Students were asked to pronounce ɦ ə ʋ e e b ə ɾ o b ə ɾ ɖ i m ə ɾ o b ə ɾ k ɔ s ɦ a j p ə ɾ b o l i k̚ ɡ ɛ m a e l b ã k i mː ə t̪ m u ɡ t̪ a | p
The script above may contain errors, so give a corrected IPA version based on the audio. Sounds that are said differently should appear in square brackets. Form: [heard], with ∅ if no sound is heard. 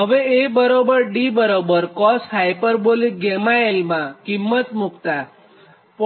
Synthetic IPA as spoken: ɦ ə ʋ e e b ə ɾ o b ə ɾ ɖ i [b] ə ɾ o b ə ɾ k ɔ s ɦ a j p ə ɾ b o l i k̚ ɡ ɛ m a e l [m] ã k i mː ə t̪ m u [k] t̪ a | p